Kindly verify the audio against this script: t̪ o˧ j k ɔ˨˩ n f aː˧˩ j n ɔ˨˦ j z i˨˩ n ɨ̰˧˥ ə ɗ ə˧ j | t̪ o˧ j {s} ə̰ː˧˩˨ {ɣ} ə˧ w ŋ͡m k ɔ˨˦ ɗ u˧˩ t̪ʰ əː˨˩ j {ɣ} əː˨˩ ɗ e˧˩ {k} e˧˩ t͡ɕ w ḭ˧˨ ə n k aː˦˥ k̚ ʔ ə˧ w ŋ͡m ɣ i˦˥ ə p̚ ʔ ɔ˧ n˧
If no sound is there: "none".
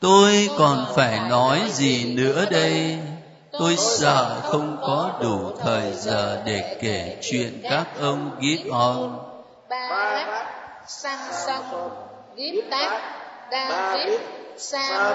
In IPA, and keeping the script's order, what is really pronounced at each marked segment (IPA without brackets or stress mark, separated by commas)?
s, x, z, k